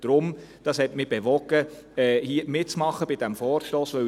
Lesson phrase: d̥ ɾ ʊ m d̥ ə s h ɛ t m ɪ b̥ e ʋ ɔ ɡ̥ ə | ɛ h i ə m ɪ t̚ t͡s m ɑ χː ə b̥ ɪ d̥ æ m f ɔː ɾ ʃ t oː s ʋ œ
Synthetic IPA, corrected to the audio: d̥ ɾ ʊ m d̥ ɑ s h ɛ t m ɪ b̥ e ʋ ɔ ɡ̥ ə | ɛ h i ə m ɪ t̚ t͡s m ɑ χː ə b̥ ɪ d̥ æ m f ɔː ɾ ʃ t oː s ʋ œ